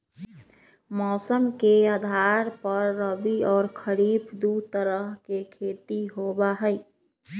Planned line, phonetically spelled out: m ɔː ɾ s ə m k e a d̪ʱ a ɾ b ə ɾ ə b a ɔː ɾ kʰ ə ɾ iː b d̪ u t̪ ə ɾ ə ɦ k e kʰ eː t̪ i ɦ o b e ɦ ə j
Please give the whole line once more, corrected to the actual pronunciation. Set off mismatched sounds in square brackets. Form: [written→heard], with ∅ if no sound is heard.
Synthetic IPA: m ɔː [ɾ→∅] s ə m k e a d̪ʱ a ɾ [b→p] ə [ɾ→ɾː] ə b [a→i] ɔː ɾ kʰ ə ɾ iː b d̪ u t̪ ə ɾ ə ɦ k e kʰ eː t̪ i ɦ o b [e→a] ɦ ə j

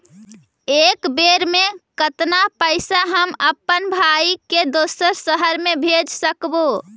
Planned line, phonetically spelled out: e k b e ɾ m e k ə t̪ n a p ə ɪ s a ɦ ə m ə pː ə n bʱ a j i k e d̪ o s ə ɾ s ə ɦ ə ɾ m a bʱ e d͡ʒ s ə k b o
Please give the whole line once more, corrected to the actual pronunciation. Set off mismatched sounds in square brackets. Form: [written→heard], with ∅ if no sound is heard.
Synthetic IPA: e k b e ɾ m e k ə t̪ n a p ə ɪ s a ɦ ə m ə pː ə n bʱ a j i k e d̪ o s ə ɾ s ə ɦ ə ɾ m [a→e] bʱ e d͡ʒ s ə k b o

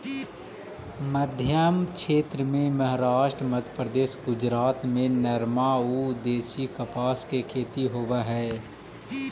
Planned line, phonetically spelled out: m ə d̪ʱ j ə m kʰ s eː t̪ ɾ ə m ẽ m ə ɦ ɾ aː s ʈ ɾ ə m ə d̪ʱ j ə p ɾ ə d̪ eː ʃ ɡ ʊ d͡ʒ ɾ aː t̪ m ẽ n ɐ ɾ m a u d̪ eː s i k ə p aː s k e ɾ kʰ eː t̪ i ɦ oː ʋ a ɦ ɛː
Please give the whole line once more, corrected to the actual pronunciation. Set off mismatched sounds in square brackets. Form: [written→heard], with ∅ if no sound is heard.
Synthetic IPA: m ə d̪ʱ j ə m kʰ [s→ʃ] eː t̪ ɾ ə m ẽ m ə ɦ ɾ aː [s→ʃ] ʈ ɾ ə m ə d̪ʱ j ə p ɾ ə d̪ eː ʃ ɡ ʊ d͡ʒ ɾ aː t̪ m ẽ n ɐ ɾ m a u d̪ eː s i k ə p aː s k e [ɾ→∅] kʰ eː t̪ i ɦ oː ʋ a ɦ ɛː

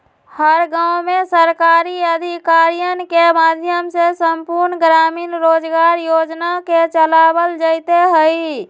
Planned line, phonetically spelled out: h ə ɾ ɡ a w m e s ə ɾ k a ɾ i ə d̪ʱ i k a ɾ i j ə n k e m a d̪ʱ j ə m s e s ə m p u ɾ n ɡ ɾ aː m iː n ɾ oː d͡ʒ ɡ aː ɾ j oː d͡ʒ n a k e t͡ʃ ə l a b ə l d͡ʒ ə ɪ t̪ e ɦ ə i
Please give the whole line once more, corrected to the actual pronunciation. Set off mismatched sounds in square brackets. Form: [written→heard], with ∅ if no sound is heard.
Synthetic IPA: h ə ɾ ɡ a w m e s ə ɾ k a ɾ i ə d̪ʱ i k a ɾ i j ə n k e m a d̪ʱ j ə m s e s ə m p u ɾ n ɡ ɾ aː m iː n ɾ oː d͡ʒ ɡ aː ɾ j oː d͡ʒ n a k e t͡ʃ ə l a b ə l d͡ʒ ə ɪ t̪ e ɦ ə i

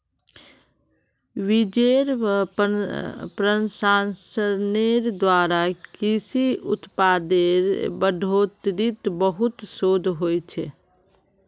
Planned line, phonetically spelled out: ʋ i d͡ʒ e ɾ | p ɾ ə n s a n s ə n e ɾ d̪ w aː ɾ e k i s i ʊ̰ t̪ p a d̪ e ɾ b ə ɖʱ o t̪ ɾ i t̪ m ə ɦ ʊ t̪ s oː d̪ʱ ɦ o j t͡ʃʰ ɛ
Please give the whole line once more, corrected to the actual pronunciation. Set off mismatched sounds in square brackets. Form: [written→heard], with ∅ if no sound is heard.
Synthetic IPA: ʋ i d͡ʒ e ɾ | p ɾ ə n s a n s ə n e ɾ d̪ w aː ɾ [e→a] k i s i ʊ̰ t̪ p a d̪ e ɾ b ə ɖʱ o t̪ ɾ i t̪ [m→b] ə ɦ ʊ t̪ s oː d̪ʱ ɦ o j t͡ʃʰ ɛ

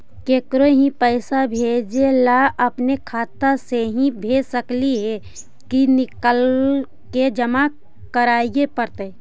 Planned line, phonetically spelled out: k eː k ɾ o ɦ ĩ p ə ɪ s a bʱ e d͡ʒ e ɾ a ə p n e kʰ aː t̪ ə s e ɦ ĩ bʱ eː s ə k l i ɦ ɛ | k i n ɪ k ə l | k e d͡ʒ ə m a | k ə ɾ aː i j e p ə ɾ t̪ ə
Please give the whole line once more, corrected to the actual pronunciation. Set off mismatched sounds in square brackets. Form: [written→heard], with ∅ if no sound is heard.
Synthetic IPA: k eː k ɾ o ɦ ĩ p ə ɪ s a bʱ e d͡ʒ e [ɾ→l] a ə p n e kʰ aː t̪ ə s e ɦ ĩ bʱ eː s ə k l i ɦ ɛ | k i n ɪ k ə l | k e d͡ʒ ə m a | k ə ɾ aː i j e p ə ɾ t̪ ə

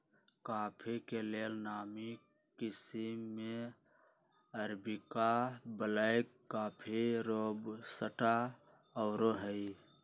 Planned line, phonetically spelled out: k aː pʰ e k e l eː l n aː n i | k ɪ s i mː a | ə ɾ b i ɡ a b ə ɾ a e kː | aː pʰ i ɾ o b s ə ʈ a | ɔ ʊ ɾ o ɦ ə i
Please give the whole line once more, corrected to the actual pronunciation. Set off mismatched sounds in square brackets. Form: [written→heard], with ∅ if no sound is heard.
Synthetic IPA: k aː pʰ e k e l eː l n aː [n→m] i | k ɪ s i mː [a→e] | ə ɾ b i [ɡ→k] a b ə [ɾ→l] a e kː | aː pʰ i ɾ o b s ə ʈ a | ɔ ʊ ɾ o ɦ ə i

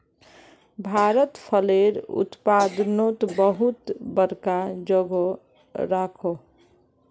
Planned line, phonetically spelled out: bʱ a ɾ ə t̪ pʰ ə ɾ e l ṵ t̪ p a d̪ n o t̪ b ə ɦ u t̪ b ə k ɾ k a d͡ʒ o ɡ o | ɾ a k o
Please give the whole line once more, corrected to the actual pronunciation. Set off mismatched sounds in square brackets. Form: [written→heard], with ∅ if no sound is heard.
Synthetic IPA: bʱ a ɾ ə t̪ pʰ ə [ɾ→l] e [l→ɾ] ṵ t̪ p a d̪ n o t̪ b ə ɦ u t̪ b ə [k→∅] ɾ k a d͡ʒ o ɡ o | ɾ a [k→kʰ] o

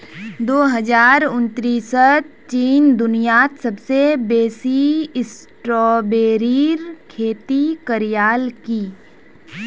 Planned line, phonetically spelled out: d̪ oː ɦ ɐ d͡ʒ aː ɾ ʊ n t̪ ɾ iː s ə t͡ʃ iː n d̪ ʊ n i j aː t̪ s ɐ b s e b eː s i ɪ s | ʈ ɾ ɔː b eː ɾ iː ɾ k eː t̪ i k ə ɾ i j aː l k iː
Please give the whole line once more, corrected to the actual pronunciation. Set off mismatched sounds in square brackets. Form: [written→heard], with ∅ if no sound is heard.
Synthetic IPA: d̪ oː ɦ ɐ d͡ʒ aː ɾ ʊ n t̪ ɾ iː s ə t͡ʃ iː n d̪ ʊ n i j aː t̪ s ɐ b s e b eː s i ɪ s | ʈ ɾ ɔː b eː ɾ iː ɾ [k→kʰ] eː t̪ i k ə ɾ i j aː l k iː

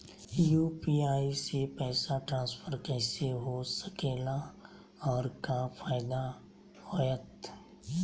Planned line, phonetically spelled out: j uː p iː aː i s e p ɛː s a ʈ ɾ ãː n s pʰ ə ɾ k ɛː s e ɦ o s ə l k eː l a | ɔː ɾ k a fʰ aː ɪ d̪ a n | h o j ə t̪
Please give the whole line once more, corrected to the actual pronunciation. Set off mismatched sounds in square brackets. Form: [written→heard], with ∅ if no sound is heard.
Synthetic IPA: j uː p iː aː i s e p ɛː s a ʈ ɾ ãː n s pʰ ə ɾ k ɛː s e ɦ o s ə [l→∅] k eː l a | ɔː ɾ k a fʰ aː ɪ d̪ a [n→∅] | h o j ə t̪

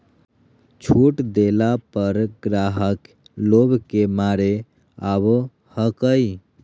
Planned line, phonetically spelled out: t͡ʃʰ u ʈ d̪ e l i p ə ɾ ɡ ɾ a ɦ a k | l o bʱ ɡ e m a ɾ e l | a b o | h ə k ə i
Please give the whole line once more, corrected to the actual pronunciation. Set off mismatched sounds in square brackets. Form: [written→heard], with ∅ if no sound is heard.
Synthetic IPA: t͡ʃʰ u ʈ d̪ e l [i→a] p ə ɾ ɡ ɾ a ɦ [a→ə] k | l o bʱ [ɡ→k] e m a ɾ e [l→∅] | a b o | h ə k ə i

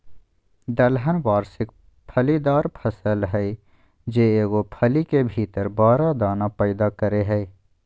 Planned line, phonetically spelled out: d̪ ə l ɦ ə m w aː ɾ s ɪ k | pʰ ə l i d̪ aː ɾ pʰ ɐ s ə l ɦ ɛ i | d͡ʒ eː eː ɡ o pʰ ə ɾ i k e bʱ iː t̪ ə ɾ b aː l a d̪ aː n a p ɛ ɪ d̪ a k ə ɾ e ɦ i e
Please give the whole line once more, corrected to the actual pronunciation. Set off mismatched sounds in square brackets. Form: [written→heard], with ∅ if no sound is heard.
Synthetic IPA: d̪ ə l ɦ ə [m→n] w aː ɾ s ɪ k | pʰ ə l i d̪ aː ɾ pʰ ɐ s ə l ɦ ɛ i | d͡ʒ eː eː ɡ o pʰ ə [ɾ→l] i k e bʱ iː t̪ ə ɾ b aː [l→ɾ] a d̪ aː n a p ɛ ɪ d̪ a k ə ɾ e ɦ [i→ɛ] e

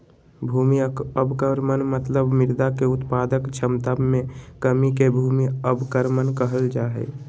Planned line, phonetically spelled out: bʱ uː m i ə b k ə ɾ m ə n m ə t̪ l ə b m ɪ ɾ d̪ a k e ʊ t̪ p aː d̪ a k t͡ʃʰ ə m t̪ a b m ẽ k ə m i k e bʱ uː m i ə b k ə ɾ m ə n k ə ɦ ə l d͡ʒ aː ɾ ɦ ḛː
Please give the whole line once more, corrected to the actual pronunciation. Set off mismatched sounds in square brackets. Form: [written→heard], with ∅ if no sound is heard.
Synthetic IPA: bʱ uː m i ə b k ə ɾ m ə n m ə t̪ l ə b m ɪ ɾ d̪ a k e ʊ t̪ p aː d̪ [a→ə] k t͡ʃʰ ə m t̪ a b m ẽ k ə m i k e bʱ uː m i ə b k ə ɾ m ə n k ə ɦ ə l d͡ʒ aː [ɾ→∅] ɦ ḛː

